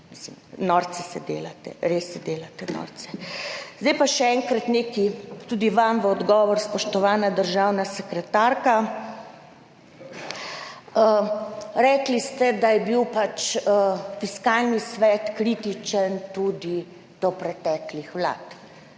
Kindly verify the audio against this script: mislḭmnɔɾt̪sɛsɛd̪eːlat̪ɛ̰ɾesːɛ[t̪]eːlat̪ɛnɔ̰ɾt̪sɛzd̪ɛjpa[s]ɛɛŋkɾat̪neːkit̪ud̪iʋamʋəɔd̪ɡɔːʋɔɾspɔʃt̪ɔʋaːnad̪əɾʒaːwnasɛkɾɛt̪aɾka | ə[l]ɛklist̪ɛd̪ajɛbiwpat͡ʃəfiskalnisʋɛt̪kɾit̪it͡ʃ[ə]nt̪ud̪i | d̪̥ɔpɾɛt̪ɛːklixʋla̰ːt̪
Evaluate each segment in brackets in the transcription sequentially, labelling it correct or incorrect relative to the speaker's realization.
incorrect, incorrect, incorrect, correct

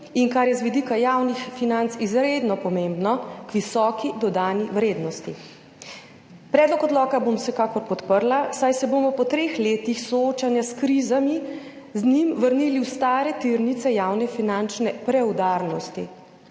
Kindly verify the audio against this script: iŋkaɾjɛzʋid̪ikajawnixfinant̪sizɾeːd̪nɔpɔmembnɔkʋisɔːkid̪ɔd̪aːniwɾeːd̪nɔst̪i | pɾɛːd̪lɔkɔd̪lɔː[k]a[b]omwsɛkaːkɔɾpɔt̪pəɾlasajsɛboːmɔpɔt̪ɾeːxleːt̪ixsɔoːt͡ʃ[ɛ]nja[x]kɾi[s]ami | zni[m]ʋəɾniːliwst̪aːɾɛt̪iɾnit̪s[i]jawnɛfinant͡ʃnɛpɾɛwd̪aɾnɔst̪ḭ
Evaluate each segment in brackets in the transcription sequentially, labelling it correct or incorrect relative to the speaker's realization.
correct, correct, incorrect, incorrect, incorrect, correct, incorrect

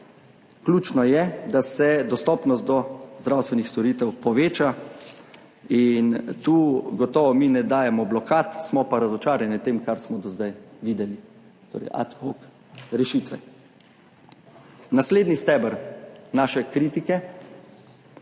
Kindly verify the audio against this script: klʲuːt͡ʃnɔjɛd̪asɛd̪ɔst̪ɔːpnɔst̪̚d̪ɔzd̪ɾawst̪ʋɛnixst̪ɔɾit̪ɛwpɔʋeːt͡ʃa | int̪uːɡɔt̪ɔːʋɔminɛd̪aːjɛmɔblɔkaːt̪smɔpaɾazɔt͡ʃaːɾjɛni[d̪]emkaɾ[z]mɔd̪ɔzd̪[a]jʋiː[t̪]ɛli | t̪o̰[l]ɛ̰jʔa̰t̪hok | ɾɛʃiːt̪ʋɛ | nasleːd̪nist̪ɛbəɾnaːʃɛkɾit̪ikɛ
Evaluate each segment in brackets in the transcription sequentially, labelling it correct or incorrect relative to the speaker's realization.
incorrect, incorrect, correct, incorrect, incorrect

